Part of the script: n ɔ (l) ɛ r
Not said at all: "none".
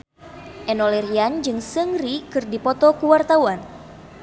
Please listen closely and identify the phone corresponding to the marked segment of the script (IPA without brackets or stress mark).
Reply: l